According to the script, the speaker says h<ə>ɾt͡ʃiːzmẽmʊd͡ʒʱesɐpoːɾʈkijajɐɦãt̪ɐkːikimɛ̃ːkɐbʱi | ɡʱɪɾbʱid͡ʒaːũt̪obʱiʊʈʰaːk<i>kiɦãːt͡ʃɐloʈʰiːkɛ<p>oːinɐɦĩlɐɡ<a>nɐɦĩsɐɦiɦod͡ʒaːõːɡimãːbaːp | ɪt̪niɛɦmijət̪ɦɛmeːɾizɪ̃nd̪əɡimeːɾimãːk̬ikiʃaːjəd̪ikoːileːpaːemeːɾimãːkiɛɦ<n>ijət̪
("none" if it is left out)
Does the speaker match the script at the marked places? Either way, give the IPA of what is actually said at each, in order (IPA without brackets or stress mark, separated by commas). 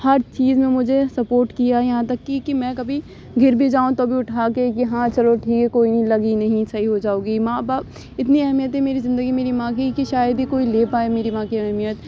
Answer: ɐ, e, k, i, m